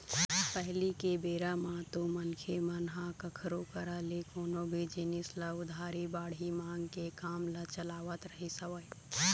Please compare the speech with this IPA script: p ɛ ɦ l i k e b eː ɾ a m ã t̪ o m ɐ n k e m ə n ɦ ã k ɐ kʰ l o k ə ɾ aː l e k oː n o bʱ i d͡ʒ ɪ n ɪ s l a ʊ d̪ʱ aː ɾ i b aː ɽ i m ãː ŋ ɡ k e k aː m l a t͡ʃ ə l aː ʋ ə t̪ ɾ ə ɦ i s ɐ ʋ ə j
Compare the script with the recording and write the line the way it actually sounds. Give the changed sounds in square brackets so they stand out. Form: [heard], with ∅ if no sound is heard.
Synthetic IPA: p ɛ ɦ l i k e b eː ɾ a m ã t̪ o m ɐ n [kʰ] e m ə n ɦ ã k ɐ kʰ [ɾ] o k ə ɾ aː l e k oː n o bʱ i d͡ʒ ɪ n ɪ s l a ʊ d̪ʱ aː ɾ i b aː ɽ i m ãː ŋ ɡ k e k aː m l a t͡ʃ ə l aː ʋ ə t̪ ɾ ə ɦ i s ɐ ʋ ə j

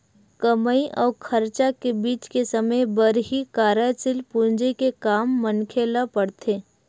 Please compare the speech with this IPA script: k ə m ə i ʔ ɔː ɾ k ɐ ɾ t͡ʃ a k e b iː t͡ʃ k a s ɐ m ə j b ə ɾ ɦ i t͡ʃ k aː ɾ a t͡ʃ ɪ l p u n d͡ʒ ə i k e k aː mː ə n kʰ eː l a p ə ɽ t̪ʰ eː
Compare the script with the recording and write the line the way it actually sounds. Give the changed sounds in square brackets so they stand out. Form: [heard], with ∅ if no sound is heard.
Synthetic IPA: k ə m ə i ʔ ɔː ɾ [kʰ] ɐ ɾ t͡ʃ a k e b iː t͡ʃ k [e] s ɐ m ə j b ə ɾ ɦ i [∅] k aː ɾ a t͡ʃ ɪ l p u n d͡ʒ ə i k e k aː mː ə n kʰ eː l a p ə ɽ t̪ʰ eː

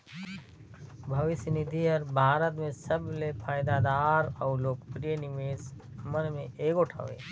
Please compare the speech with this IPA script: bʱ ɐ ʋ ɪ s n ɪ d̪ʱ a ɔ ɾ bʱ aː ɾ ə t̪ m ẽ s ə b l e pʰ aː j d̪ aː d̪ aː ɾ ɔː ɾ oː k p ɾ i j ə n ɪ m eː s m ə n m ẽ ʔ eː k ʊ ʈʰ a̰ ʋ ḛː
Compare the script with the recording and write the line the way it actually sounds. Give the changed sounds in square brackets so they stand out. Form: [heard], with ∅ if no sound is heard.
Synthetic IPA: bʱ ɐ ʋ ɪ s n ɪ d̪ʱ [i] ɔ ɾ bʱ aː ɾ ə t̪ m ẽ s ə b l e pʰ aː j d̪ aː d̪ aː ɾ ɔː [l] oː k p ɾ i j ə n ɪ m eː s m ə n m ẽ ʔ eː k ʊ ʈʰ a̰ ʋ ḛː

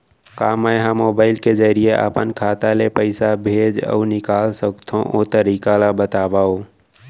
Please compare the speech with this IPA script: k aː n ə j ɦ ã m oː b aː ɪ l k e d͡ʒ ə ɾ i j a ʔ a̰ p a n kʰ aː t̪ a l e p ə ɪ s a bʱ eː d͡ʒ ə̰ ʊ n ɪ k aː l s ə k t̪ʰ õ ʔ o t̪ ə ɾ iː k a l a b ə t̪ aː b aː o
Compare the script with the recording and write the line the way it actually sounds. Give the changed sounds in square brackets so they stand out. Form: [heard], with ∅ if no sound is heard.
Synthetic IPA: k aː [m] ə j ɦ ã m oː b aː ɪ l k e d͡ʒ ə ɾ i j [e] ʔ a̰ p [ə] n kʰ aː t̪ a l e p ə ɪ s a bʱ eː d͡ʒ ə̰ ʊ n ɪ k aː l s ə k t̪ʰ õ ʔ o t̪ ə ɾ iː k a l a b ə t̪ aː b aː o

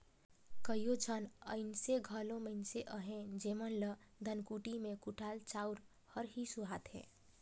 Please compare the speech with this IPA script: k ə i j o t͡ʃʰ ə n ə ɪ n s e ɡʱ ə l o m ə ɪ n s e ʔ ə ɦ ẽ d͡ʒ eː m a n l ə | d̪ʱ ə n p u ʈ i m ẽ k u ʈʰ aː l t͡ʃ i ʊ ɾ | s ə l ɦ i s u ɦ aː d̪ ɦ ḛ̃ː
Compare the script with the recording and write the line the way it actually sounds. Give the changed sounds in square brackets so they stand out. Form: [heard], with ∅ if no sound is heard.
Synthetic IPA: k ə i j o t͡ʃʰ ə n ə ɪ n s e ɡʱ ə l o m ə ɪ n s e ʔ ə ɦ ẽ d͡ʒ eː m [ə] n l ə | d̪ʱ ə n [k] u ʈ i m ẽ k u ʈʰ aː l t͡ʃ [a] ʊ ɾ | [h] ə [ɾ] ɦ i s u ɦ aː [t̪] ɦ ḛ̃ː

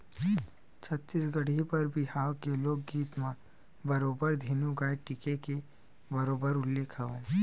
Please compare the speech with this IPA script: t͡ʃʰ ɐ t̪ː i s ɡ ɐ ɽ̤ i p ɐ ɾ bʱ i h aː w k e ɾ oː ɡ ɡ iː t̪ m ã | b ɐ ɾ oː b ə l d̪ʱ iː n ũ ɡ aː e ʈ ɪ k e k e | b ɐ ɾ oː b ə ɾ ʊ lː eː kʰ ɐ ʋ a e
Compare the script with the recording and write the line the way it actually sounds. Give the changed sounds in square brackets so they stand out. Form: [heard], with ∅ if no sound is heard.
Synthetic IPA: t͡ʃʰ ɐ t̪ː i s ɡ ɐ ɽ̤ i p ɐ ɾ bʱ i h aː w k e [l] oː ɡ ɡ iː t̪ m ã | b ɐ ɾ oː b ə [ɾ] d̪ʱ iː n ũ ɡ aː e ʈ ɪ k e k e | b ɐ ɾ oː b ə ɾ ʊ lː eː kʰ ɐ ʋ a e

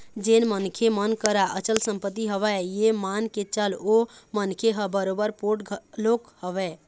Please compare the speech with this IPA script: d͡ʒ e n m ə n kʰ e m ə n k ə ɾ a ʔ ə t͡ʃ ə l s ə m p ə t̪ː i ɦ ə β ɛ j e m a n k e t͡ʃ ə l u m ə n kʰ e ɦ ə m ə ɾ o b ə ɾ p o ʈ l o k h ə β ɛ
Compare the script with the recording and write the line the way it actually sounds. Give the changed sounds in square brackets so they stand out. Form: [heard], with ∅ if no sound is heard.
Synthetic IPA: d͡ʒ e n m ə n kʰ e m ə n k ə ɾ a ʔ ə t͡ʃ ə l s ə m p ə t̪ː i ɦ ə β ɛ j e m a n k e t͡ʃ ə l [o] m ə n kʰ e ɦ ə [b] ə ɾ o b ə ɾ p o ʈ l o k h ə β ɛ

